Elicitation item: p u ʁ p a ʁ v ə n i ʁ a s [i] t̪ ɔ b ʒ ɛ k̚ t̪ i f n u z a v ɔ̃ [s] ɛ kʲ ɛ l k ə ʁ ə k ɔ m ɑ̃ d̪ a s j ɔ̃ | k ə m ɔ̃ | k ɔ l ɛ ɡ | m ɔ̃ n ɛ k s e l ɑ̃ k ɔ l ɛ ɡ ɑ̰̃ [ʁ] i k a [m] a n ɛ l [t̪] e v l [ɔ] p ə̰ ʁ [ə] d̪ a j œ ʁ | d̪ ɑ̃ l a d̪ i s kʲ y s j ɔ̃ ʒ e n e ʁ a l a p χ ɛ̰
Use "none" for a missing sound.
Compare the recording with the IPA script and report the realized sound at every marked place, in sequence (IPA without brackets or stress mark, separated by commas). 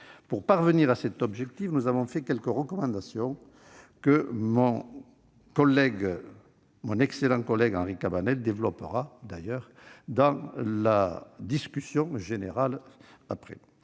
ɛ, f, ʁ, b, d̪, ɔ, a